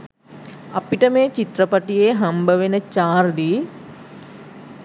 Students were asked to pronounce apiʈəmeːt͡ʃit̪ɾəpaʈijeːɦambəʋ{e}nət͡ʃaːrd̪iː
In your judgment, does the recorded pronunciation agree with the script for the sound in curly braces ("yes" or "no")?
yes